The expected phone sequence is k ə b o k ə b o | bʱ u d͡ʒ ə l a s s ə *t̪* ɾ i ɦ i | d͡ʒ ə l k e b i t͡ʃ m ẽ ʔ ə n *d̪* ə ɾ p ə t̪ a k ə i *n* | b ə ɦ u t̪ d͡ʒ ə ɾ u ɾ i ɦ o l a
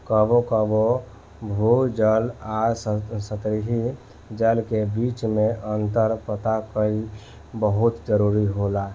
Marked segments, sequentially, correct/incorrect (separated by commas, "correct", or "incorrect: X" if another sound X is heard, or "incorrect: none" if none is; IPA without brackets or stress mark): correct, incorrect: t̪, incorrect: none